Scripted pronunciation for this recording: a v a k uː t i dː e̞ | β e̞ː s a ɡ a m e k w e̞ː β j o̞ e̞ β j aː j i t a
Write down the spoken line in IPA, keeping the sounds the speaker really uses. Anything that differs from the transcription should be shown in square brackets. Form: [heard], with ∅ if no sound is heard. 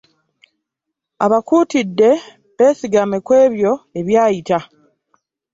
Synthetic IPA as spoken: a [β] a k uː t i dː e̞ | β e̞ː s [i] ɡ a m e k w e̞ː β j o̞ e̞ β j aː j i t a